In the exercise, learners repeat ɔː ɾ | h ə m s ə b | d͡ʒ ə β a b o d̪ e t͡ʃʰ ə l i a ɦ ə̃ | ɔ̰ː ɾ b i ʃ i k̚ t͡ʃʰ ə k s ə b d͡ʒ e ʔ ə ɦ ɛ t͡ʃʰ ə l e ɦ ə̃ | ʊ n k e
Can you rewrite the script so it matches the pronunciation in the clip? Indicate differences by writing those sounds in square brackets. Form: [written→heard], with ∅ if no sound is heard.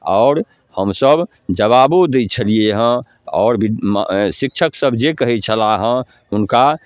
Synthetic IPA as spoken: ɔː ɾ | h ə m s ə b | d͡ʒ ə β a b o d̪ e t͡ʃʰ ə l i [a→e] ɦ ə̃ | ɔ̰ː ɾ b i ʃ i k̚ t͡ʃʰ ə k s ə b d͡ʒ e [ʔ→k] ə ɦ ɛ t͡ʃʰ ə l [e→a] ɦ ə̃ | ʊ n k [e→a]